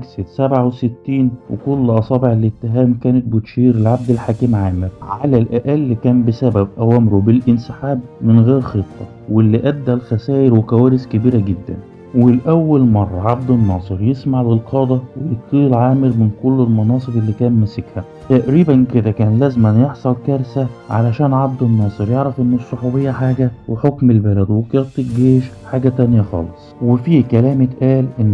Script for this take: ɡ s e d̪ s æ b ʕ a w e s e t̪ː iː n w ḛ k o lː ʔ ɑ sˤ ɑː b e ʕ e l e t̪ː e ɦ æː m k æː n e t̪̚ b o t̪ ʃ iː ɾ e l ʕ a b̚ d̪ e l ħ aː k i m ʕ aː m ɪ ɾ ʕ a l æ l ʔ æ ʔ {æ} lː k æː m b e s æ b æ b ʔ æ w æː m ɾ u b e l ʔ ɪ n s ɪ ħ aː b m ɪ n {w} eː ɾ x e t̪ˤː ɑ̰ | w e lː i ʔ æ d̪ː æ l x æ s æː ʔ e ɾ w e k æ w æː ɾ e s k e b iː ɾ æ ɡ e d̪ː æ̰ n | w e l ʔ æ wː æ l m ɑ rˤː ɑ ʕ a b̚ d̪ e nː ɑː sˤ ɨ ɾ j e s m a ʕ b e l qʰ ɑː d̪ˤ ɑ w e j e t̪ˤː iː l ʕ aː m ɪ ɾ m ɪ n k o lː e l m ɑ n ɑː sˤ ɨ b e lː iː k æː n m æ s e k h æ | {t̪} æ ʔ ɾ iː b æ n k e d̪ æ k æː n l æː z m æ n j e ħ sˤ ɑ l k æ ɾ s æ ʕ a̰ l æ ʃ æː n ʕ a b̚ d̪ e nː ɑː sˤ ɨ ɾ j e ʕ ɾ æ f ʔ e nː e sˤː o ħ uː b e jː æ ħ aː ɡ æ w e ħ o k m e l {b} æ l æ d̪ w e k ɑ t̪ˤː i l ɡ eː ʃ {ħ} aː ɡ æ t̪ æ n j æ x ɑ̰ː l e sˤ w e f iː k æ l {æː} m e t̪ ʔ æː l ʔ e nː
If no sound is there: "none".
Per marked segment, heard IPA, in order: æ, ɣ, t̪, b, ħ, æː

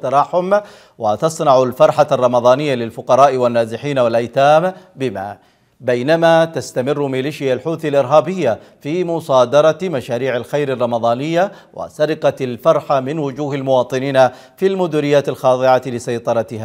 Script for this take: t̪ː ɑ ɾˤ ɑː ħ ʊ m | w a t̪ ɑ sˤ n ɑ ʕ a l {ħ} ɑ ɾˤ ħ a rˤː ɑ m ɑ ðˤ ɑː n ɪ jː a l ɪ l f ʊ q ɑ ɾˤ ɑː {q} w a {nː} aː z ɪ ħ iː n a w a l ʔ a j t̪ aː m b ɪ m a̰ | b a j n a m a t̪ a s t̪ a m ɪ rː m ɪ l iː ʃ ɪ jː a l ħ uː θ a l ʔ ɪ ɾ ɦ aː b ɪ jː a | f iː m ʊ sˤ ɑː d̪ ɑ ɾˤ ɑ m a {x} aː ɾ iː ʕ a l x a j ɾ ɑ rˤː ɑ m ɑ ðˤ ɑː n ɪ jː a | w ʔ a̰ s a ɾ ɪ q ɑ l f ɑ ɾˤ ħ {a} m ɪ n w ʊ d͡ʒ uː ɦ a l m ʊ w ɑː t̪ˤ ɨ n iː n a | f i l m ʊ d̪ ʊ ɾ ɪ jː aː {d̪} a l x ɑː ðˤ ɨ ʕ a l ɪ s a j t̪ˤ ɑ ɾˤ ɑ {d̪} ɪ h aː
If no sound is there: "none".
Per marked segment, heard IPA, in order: f, ʔ, nː, ʃ, a, t̪, t̪

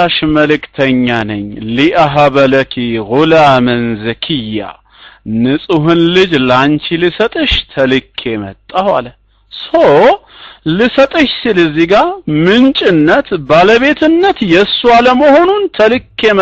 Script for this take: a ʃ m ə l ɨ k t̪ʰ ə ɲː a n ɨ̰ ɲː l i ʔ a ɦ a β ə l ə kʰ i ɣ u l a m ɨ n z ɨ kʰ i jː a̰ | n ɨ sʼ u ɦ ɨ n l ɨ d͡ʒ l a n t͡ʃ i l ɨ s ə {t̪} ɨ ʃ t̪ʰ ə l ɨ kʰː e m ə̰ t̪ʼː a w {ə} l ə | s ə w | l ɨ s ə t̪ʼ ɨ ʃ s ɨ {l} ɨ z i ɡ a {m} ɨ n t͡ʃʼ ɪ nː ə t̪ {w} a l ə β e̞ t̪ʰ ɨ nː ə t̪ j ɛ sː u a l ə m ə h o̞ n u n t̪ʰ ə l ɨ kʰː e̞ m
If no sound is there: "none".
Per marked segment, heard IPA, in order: t̪ʼ, a, l, m, b

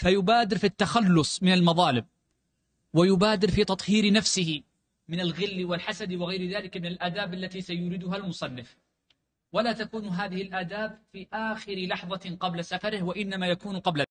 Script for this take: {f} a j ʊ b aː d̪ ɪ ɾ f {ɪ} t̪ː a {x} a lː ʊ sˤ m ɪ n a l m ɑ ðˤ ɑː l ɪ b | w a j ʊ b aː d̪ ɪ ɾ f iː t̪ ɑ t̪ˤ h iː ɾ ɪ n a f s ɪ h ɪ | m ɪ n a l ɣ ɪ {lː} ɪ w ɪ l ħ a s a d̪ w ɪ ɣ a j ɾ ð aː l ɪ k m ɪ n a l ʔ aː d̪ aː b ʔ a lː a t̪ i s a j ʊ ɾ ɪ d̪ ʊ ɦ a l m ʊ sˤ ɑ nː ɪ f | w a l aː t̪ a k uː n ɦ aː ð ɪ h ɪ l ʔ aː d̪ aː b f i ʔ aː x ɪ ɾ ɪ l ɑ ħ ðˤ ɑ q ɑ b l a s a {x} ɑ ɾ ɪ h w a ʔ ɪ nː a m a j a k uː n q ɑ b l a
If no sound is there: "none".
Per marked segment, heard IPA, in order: f, i, x, lː, f

